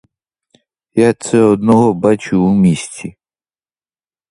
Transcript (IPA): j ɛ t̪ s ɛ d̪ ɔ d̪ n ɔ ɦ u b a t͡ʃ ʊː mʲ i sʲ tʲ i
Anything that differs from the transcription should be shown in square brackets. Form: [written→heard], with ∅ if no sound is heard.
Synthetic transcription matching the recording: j [ɛ→a] t̪ s ɛ [d̪→∅] ɔ d̪ n ɔ ɦ [u→ɔ] b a t͡ʃ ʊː mʲ i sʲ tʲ i